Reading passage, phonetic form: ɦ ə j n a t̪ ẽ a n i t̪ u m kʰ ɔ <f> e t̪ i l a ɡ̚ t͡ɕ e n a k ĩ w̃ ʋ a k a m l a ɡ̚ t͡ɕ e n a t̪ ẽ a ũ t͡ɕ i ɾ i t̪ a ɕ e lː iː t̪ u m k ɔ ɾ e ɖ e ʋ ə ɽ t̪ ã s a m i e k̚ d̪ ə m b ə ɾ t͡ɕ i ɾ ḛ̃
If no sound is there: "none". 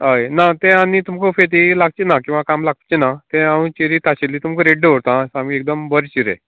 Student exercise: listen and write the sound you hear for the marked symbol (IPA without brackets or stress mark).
f